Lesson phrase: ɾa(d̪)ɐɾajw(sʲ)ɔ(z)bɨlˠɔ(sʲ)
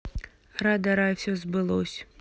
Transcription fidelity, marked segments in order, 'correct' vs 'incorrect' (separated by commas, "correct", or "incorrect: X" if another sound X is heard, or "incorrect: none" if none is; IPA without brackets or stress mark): correct, correct, correct, correct